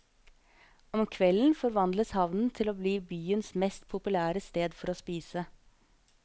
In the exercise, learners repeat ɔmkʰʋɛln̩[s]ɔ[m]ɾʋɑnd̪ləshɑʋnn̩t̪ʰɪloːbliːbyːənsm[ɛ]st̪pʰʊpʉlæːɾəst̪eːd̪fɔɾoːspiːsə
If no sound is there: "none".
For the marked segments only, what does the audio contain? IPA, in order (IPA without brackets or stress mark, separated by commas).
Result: f, none, ɛ